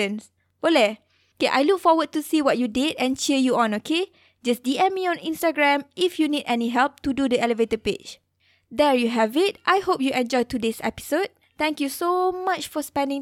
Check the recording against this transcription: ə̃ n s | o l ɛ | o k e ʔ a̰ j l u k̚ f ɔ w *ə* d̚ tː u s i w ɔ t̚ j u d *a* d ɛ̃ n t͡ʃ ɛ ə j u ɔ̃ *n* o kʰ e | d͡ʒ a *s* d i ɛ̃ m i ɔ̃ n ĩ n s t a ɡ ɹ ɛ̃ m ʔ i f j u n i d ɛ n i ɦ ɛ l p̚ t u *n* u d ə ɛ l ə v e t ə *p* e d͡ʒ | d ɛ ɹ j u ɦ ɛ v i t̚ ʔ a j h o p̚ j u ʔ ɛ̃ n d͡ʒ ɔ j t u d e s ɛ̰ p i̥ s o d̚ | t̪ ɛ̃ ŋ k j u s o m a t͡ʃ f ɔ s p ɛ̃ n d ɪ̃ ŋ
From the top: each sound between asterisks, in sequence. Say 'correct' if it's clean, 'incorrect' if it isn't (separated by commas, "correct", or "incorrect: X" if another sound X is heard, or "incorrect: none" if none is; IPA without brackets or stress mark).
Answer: correct, incorrect: i, correct, correct, incorrect: d, correct